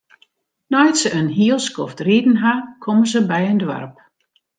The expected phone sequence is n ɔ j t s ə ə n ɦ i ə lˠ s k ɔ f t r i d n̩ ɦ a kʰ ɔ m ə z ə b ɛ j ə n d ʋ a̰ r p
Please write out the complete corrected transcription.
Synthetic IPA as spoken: n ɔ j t s ə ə n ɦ i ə lˠ s k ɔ f t r i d n̩ ɦ a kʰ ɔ m ə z ə b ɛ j ə n d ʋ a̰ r p